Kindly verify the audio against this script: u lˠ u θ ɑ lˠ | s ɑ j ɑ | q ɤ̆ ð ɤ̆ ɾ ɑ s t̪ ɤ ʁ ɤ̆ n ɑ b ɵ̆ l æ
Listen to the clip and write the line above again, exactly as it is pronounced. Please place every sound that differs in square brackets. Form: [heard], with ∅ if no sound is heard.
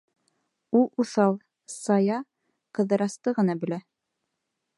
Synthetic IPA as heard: u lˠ u θ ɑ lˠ | s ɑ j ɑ | q ɤ̆ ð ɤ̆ ɾ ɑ s t̪ ɤ ʁ ɤ̆ n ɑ b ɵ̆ l æ

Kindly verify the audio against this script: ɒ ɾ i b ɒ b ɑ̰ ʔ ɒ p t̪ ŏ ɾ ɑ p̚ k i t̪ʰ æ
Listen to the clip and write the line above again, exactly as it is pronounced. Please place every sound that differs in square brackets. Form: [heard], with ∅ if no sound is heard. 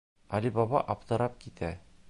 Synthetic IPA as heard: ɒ [l] i b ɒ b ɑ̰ ʔ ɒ p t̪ [ɤ̆] ɾ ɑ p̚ k i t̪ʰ æ

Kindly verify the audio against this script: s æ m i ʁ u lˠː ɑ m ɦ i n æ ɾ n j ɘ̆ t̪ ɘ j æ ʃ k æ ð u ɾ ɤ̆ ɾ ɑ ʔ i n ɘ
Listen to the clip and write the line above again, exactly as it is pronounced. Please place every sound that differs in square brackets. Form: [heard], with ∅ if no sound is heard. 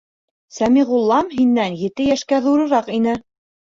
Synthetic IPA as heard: s æ m i ʁ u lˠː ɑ m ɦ i [nː] æ [∅] n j ɘ̆ t̪ ɘ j æ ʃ k æ ð u ɾ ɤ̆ ɾ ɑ [q] i n ɘ

